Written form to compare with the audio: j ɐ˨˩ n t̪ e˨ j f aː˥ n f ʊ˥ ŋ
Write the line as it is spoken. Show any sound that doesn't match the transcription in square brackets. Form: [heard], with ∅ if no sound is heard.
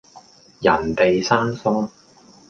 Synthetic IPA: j ɐ˨˩ n t̪ e˨ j [s] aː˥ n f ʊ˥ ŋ